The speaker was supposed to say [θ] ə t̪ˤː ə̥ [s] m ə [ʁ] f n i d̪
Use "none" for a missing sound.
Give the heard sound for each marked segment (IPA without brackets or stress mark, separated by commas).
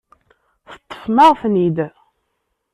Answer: θ, f, ʁ